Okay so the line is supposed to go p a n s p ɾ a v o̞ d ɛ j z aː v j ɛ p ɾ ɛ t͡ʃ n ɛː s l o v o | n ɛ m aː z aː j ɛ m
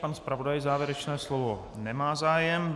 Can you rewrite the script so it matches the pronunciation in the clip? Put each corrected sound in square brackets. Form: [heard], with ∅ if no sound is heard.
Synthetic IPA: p a n s p ɾ a v o̞ d [a] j z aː v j ɛ [∅] ɾ ɛ t͡ʃ n ɛː s l o v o | n ɛ m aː z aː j ɛ m

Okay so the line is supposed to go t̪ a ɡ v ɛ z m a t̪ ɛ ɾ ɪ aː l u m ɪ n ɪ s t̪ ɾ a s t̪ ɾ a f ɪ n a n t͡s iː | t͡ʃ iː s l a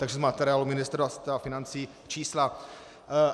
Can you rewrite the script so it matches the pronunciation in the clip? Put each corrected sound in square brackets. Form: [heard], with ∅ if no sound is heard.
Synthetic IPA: t̪ a ɡ [ʒ] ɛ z m a t̪ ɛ ɾ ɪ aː l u m ɪ n ɪ s t̪ ɾ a s t̪ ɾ a f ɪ n a n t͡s iː | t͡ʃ iː s l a

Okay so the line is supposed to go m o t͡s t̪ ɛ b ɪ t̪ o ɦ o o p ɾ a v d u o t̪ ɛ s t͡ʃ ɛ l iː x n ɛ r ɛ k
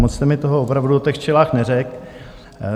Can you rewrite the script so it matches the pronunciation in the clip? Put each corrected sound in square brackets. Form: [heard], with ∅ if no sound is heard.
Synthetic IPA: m o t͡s t̪ ɛ [m] ɪ t̪ o ɦ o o p ɾ a v d u o t̪ ɛ [x] t͡ʃ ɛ l [aː] x n ɛ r ɛ k

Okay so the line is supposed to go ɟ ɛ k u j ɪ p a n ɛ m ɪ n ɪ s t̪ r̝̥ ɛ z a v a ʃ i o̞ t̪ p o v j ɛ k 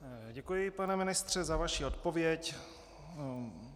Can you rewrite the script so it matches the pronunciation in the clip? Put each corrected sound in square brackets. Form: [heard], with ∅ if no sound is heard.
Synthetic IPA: ɟ ɛ k u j ɪ p a n ɛ m ɪ n ɪ s t̪ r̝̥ ɛ z a v a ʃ i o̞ t̪ p o v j ɛ [c]

